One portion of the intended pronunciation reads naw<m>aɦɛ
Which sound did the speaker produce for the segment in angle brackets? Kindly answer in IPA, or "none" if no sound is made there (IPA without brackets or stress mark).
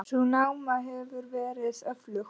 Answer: m